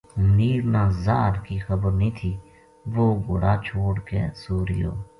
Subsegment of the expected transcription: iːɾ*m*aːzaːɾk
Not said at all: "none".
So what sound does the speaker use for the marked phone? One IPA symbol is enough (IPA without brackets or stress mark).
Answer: n